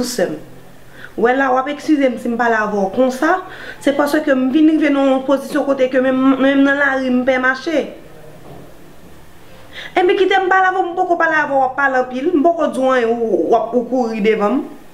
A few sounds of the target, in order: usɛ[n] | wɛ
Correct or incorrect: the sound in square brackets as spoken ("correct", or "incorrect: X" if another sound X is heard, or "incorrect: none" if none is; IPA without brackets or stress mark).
incorrect: m